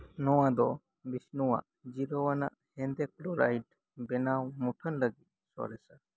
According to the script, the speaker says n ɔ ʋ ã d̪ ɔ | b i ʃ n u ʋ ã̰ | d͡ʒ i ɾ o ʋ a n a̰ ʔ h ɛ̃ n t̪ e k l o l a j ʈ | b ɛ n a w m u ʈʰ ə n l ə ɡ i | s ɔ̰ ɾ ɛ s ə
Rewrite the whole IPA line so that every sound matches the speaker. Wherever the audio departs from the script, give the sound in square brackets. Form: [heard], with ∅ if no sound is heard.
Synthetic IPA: n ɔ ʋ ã d̪ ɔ | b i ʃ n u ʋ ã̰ | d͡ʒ i ɾ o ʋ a n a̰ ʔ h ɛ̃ n [d̪] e k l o [ɾ] a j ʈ | b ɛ n a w m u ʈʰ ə n l ə ɡ i | s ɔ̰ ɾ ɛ s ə